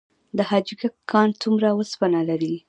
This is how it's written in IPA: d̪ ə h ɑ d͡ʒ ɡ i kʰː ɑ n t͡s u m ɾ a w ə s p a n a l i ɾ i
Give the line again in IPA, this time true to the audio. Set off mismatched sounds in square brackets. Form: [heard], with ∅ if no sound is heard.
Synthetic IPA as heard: d̪ ə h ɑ d͡ʒ ɡ [a] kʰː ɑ n t͡s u m ɾ a w ə s p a n a l [a] ɾ i